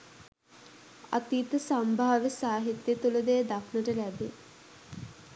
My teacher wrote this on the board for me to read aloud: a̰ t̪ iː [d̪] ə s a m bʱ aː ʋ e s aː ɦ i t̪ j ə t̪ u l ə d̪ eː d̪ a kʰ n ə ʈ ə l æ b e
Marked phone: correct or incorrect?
incorrect: t̪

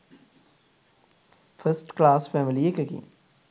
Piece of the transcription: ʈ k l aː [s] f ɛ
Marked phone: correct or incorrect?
correct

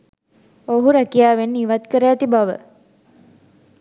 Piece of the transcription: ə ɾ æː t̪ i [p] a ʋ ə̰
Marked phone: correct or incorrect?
incorrect: b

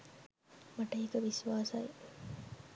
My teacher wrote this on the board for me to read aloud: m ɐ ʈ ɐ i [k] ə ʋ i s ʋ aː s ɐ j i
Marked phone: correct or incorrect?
correct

